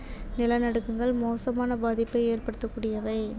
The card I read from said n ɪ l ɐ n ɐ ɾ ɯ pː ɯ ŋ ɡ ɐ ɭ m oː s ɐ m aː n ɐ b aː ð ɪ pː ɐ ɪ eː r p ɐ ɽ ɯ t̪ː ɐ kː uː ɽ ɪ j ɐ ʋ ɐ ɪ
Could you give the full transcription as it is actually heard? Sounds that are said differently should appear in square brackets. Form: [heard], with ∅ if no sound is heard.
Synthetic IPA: n ɪ l ɐ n ɐ [ɽ] ɯ [kː] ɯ ŋ ɡ ɐ ɭ m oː s ɐ m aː n ɐ b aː ð ɪ pː ɐ ɪ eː r p ɐ ɽ ɯ t̪ː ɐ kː uː ɽ ɪ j ɐ ʋ ɐ ɪ